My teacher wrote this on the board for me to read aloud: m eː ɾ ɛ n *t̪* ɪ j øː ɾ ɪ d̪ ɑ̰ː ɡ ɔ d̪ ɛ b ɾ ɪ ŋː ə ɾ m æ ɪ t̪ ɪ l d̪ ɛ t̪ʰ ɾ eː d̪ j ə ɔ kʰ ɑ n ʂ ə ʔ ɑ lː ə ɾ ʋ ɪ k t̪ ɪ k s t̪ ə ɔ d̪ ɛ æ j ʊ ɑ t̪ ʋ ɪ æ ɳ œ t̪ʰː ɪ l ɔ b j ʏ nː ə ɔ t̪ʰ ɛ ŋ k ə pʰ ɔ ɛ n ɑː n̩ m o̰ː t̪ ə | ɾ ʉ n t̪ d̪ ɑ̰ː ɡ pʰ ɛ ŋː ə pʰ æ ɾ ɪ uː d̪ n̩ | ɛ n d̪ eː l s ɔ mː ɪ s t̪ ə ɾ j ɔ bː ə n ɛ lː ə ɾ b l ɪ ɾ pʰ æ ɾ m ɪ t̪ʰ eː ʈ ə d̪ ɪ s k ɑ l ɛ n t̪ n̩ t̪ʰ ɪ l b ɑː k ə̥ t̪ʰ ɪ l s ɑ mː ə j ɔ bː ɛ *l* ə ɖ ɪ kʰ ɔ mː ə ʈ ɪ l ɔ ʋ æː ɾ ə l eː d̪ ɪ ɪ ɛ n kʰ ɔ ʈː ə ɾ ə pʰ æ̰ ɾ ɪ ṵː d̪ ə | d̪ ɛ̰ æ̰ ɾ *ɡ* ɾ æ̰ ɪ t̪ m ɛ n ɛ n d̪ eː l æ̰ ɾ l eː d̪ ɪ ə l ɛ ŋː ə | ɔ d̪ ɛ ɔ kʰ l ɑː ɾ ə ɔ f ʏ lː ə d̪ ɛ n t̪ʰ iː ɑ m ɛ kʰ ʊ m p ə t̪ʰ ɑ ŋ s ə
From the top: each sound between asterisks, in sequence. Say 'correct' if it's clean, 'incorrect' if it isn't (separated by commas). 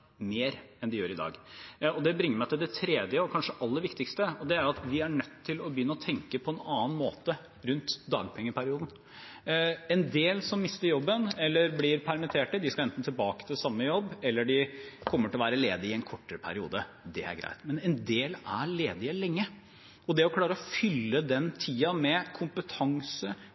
incorrect, incorrect, correct